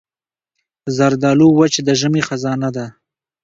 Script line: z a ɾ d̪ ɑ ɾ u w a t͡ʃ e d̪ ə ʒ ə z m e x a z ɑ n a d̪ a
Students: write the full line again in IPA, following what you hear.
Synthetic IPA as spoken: z a ɾ d̪ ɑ l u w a t͡ʃ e d̪ ə ʒ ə m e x a z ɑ n a d̪ a

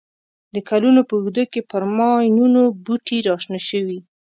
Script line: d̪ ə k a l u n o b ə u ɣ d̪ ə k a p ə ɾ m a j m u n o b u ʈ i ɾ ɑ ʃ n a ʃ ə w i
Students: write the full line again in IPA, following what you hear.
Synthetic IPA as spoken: d̪ ə k a l u n o p ə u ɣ d̪ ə k e p ə ɾ m ɑ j n u n o b u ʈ i ɾ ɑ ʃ n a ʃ ə w i

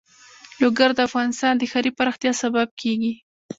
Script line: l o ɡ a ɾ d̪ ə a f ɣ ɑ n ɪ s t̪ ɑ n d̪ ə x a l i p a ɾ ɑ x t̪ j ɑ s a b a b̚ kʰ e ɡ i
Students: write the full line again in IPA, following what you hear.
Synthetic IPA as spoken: l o ɡ a ɾ d̪ ə a f ɣ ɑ n ɪ s t̪ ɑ n d̪ ə x a ɾ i p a ɾ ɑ x t̪ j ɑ s a b a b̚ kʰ e ɡ i

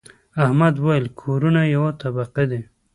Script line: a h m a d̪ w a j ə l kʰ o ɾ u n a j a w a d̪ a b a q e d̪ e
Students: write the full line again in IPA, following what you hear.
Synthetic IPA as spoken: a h m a d̪ w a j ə l kʰ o ɾ u n a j a w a t̪ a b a q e d̪ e

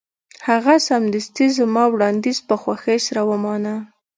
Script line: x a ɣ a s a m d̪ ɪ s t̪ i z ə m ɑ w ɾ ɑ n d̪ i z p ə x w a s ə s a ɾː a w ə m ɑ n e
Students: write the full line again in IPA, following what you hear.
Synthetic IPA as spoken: h a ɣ a s a m d̪ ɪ s t̪ i z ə m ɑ w ɽ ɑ n d̪ i z p ə x w a x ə s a ɾ a w ə m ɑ n a

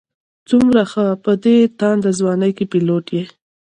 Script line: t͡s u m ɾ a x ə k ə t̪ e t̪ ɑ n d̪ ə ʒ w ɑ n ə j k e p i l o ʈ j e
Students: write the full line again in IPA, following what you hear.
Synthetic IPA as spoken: t͡s u m ɾ a x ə p ə d̪ e t̪ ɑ n d̪ ə z w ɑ n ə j k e p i l o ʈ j e

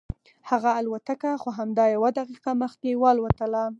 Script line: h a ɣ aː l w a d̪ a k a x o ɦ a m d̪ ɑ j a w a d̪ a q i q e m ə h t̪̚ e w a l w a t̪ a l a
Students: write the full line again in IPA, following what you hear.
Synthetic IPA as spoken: h a ɣ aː l w a t̪ a k a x o ɦ a m d̪ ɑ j a w a d̪ a q i q a m ə x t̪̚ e w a l w a t̪ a l a

